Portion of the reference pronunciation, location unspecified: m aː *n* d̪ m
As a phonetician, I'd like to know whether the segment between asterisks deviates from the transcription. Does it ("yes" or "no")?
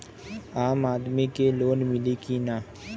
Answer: yes